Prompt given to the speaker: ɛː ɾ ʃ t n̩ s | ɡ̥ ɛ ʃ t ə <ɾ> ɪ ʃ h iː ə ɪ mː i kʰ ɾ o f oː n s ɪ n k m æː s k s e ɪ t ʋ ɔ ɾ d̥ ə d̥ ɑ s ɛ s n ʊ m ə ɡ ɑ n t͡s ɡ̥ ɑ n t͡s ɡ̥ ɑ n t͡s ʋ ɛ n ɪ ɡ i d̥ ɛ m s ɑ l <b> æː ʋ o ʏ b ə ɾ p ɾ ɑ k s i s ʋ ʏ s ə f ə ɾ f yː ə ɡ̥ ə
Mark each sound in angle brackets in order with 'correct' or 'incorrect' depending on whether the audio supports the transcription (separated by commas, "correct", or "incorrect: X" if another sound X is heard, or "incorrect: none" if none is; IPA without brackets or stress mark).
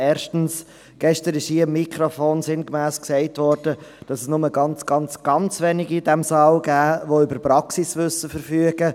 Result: correct, incorrect: ɡ